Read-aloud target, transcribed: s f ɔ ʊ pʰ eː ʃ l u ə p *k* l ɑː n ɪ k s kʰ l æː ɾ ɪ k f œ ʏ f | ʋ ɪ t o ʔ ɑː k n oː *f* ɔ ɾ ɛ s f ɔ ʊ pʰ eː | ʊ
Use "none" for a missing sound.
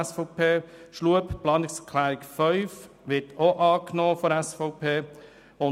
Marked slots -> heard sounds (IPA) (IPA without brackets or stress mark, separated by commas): p, f